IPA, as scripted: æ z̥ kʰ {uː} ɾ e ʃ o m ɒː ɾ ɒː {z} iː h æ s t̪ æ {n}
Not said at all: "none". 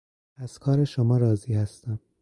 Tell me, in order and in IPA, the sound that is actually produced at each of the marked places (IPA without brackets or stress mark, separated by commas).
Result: ɒː, z, m